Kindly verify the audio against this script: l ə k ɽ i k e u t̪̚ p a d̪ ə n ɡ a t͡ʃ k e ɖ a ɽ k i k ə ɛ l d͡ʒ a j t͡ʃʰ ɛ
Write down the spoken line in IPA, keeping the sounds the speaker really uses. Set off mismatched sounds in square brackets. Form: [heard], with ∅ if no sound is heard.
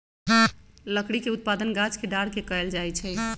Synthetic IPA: l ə k ɽ i k e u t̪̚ p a d̪ ə n ɡ a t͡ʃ k e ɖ a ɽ k [e] k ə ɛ l d͡ʒ a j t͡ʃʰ ɛ